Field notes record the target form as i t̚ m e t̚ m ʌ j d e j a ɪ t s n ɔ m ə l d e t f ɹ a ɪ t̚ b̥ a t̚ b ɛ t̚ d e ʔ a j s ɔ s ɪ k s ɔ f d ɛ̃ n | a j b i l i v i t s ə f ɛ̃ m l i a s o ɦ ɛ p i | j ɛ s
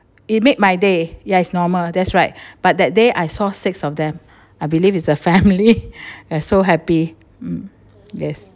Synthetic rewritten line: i t̚ m e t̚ m a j d e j a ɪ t s n ɔ m ə l d ɛ t s ɹ a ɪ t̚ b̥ a t̚ d ɛ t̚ d e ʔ a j s ɔ s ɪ k s ɔ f d ɛ̃ m | a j b i l i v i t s ə f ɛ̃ m l i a s o ɦ ɛ p i | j ɛ s